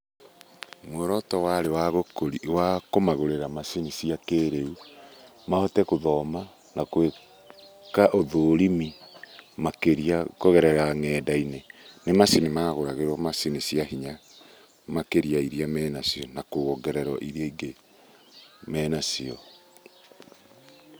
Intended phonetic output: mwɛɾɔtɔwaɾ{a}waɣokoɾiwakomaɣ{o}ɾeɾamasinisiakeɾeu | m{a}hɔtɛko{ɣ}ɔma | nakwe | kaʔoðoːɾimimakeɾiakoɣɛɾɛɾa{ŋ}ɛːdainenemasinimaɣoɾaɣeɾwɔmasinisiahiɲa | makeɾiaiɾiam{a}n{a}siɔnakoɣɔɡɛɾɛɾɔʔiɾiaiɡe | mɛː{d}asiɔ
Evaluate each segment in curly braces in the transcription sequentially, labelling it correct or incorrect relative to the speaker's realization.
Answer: incorrect: e, correct, correct, incorrect: ð, correct, incorrect: ɛ, correct, incorrect: n

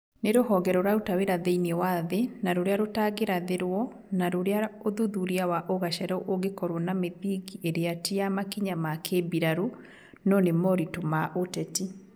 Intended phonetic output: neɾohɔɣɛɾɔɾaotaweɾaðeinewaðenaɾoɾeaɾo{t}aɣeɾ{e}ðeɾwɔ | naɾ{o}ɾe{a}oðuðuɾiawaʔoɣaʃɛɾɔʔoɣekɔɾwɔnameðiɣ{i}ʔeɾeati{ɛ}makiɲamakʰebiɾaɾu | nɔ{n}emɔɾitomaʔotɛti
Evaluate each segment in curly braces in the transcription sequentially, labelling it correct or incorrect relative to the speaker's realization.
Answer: correct, incorrect: a, correct, correct, correct, incorrect: a, correct

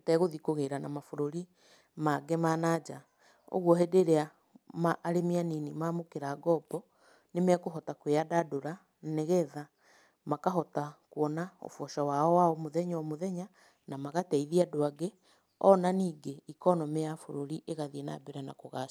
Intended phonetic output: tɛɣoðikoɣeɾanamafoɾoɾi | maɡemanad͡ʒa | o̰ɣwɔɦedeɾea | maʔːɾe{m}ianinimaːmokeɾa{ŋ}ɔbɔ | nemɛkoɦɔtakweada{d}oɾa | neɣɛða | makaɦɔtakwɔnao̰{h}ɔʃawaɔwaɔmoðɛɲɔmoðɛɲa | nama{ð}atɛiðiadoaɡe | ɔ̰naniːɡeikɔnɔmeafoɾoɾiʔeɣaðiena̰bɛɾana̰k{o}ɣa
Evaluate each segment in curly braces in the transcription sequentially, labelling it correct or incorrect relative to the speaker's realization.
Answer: correct, incorrect: ɡ, correct, incorrect: f, incorrect: ɣ, correct

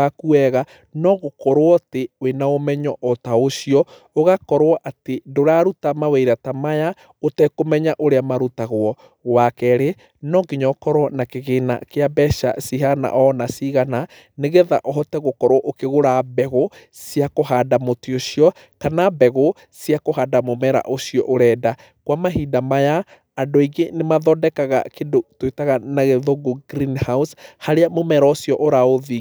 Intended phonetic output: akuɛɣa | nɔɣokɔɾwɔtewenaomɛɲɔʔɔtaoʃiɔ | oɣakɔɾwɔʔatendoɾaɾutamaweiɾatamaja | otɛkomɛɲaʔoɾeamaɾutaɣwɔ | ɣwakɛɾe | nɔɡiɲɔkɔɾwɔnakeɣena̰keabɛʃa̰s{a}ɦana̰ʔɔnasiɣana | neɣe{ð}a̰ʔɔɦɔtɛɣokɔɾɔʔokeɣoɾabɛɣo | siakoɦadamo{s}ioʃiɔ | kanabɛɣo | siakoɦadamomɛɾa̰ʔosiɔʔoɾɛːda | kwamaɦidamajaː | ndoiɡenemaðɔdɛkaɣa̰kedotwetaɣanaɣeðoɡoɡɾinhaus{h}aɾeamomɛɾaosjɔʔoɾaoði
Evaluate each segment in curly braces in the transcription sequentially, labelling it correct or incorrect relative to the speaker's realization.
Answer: incorrect: i, correct, incorrect: t, correct

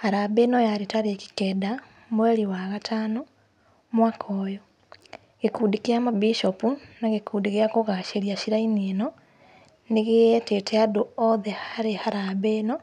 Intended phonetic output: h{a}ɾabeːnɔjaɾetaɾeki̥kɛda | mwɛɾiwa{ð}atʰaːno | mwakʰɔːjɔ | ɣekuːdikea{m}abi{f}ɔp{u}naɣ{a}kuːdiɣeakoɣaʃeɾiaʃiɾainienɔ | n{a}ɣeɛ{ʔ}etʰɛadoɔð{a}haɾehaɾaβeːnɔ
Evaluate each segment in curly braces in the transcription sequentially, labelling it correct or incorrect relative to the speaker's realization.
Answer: correct, incorrect: ɣ, correct, incorrect: ʃ, correct, incorrect: e, incorrect: e, incorrect: t, incorrect: ɛ

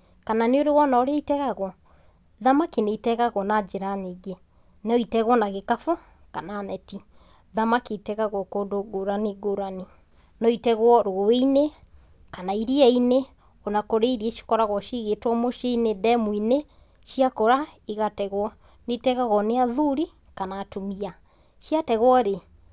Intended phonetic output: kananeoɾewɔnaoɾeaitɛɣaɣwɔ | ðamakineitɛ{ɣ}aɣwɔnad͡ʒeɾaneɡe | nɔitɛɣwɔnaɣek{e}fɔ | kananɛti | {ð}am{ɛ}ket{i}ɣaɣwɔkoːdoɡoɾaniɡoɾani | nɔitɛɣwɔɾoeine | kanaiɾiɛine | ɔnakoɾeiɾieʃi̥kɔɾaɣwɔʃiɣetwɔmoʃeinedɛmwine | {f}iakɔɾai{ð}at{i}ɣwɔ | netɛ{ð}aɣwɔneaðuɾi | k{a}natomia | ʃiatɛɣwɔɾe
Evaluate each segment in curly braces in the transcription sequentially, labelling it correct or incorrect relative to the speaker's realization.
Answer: correct, incorrect: a, correct, incorrect: a, incorrect: ɛ, incorrect: ʃ, incorrect: ɣ, incorrect: ɛ, incorrect: ɣ, correct

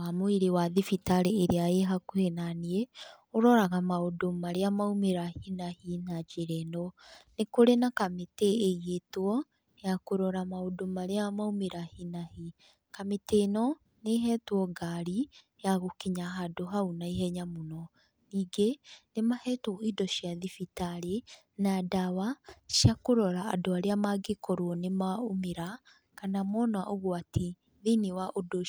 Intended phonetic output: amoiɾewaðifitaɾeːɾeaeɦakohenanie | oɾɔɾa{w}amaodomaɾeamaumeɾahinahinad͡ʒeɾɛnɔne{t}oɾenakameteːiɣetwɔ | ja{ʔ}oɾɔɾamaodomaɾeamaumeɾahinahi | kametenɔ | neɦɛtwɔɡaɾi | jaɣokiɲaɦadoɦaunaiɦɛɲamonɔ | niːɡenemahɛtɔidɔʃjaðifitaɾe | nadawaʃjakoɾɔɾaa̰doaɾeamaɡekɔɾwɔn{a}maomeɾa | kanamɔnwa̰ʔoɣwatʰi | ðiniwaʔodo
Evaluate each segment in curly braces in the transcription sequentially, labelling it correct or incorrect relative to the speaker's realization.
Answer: incorrect: ɣ, incorrect: k, incorrect: k, incorrect: e

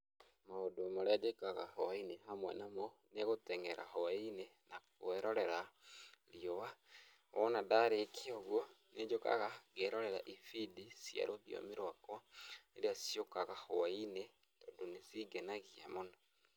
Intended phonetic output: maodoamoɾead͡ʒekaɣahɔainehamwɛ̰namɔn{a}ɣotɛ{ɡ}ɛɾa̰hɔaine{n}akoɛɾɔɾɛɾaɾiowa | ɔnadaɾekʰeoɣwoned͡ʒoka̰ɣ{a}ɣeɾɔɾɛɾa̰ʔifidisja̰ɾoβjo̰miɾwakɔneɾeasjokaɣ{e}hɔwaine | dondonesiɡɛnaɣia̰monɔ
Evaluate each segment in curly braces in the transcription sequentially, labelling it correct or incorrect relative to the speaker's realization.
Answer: incorrect: e, incorrect: ŋ, correct, correct, incorrect: a

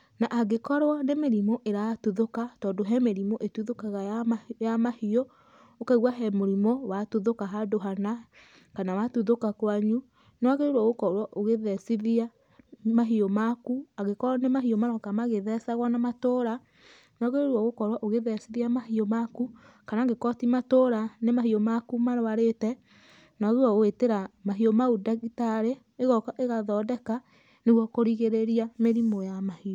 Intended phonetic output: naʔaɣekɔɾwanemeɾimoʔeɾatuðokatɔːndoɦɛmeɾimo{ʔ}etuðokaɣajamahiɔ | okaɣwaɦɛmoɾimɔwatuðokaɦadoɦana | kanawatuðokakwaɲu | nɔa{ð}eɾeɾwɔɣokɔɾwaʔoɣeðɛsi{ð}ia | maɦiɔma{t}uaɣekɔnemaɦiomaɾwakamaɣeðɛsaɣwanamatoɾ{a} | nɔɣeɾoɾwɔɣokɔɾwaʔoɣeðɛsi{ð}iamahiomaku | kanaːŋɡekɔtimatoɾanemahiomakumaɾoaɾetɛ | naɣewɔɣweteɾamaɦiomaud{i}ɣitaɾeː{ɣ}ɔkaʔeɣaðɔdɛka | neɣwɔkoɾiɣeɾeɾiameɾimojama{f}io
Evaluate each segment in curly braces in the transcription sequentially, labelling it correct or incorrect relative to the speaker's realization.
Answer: correct, incorrect: ɣ, correct, incorrect: k, correct, correct, incorrect: a, correct, incorrect: h

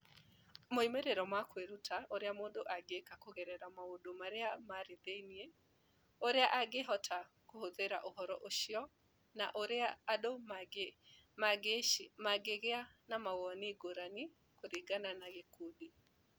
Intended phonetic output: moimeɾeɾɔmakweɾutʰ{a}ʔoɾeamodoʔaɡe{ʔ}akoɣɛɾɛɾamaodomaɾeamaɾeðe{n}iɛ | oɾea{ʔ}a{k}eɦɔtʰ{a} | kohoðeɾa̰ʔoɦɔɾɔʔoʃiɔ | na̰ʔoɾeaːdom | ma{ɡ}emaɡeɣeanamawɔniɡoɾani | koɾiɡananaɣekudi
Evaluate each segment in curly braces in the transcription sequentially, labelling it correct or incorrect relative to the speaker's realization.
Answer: correct, incorrect: k, correct, correct, incorrect: ɡ, correct, correct

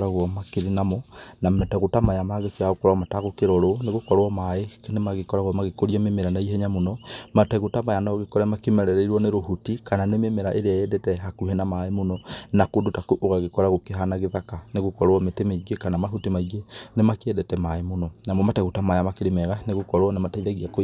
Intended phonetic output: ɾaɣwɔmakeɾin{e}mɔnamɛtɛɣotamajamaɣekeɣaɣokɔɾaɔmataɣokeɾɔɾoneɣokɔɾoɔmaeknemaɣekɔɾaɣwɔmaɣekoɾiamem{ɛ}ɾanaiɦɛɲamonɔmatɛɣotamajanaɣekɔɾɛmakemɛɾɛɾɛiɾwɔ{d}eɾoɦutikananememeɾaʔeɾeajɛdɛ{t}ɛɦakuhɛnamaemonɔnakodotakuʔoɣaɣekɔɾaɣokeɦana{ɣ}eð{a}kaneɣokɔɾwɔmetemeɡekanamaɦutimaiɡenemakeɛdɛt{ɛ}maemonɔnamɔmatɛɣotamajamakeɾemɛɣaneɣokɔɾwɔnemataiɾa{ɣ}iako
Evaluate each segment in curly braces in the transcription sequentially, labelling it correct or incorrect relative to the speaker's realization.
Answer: incorrect: a, incorrect: e, incorrect: n, correct, correct, correct, correct, correct

